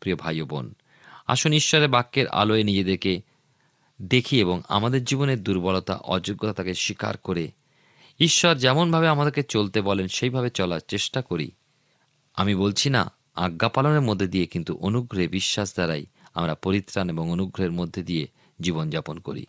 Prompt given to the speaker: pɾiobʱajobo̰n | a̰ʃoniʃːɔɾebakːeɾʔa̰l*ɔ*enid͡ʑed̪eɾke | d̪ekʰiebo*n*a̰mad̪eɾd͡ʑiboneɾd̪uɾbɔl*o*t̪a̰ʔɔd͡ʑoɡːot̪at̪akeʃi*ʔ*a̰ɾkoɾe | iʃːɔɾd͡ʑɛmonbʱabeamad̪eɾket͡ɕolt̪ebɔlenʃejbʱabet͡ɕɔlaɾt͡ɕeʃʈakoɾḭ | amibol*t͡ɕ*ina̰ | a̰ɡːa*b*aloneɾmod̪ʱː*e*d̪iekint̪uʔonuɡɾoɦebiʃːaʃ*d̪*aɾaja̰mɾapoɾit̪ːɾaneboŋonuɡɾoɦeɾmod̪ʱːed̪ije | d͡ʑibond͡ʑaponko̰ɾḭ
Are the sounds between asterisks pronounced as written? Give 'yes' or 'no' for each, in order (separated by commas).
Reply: no, no, yes, no, no, no, yes, yes